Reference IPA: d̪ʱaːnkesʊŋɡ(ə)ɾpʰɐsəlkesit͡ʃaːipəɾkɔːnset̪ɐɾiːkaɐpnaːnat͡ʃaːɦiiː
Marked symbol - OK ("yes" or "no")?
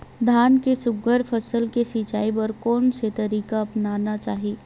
yes